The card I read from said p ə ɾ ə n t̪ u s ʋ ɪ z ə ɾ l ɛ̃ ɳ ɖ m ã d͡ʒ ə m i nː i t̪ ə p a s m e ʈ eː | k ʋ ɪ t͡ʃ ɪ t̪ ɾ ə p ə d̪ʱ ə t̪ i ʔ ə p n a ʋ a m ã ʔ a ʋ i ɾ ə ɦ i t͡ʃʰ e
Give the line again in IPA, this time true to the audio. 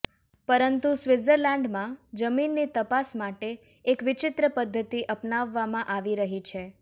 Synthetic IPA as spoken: p ə ɾ ə n t̪ u s ʋ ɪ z ə ɾ l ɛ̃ ɳ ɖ m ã d͡ʒ ə m i nː i t̪ ə p a s m a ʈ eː | k ʋ ɪ t͡ʃ ɪ t̪ ɾ ə p ə d̪ʱː ə t̪ i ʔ ə p n a ʋː a m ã ʔ a ʋ i ɾ ə ɦ i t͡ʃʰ e